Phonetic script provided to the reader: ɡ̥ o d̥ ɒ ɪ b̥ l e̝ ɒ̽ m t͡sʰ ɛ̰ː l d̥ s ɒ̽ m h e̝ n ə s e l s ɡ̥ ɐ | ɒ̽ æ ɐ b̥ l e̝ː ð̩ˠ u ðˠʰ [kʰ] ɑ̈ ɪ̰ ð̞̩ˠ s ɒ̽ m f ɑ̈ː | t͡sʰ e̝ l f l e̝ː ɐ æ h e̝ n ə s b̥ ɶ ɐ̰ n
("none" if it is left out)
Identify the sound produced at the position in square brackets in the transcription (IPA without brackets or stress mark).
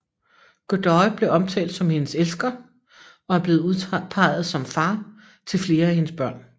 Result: pʰ